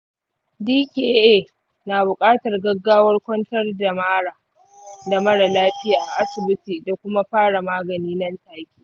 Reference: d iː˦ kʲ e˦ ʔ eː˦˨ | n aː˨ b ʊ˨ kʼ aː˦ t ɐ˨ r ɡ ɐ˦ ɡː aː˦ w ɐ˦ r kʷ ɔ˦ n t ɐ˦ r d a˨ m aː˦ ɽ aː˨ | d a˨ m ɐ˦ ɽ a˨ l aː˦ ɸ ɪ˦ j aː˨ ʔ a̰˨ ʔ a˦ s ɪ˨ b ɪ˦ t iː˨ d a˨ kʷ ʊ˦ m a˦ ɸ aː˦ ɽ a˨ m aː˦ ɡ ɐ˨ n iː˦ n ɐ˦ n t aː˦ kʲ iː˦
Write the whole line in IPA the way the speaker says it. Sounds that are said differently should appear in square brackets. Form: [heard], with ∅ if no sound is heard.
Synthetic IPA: d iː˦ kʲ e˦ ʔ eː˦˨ | n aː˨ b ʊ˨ kʼ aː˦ t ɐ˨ r ɡ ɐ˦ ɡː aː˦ w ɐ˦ r kʷ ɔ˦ n t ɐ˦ r d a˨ m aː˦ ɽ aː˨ | d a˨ m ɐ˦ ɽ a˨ l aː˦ ɸ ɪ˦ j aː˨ ʔ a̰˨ ʔ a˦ s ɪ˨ b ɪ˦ t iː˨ d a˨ kʷ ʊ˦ m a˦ ɸ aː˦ ɽ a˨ m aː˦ ɡ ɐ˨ n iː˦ n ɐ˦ n t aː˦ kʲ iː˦